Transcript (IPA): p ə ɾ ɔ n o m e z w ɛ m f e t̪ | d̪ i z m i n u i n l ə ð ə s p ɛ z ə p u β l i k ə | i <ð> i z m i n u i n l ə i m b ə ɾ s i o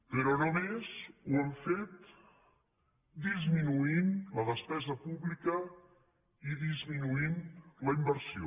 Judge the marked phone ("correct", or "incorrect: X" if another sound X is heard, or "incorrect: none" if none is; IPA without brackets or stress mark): correct